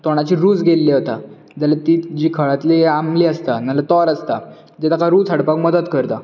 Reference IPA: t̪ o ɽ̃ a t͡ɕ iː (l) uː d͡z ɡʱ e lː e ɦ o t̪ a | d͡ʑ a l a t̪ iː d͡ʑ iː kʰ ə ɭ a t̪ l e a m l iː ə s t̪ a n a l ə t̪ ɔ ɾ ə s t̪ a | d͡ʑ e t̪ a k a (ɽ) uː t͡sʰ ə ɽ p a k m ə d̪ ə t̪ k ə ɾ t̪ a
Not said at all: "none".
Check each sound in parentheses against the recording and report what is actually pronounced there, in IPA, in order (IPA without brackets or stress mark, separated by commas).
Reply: ɾ, ɾ